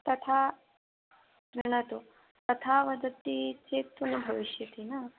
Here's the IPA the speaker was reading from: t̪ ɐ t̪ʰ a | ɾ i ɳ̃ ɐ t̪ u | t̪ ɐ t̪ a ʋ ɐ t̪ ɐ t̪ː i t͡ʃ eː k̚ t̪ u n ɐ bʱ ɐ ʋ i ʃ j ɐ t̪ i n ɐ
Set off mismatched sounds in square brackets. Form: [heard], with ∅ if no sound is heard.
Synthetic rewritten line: t̪ ɐ t̪ʰ a | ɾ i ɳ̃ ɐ t̪ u | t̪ ɐ [t̪ʰ] a ʋ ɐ [d̪] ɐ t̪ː i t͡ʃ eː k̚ t̪ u n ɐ bʱ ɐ ʋ i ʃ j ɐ t̪ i n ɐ